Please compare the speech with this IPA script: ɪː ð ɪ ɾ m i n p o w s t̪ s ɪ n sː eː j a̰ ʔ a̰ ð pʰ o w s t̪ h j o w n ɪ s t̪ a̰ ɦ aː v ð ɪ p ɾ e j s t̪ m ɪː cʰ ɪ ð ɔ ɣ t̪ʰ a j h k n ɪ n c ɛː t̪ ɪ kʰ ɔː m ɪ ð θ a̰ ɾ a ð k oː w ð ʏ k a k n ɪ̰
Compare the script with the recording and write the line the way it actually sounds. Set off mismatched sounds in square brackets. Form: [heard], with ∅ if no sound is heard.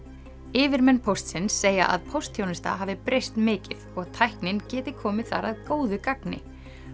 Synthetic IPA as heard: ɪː [v] ɪ ɾ m [ɛ] n [pʰ] o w s t̪ s ɪ n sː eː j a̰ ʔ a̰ ð pʰ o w s t̪ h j o w n ɪ s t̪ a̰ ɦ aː v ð ɪ p ɾ e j s t̪ m ɪː [c] ɪ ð ɔ ɣ t̪ʰ a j h k n ɪ n c ɛː t̪ ɪ kʰ ɔː m ɪ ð θ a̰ ɾ a ð k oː w ð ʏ k a k n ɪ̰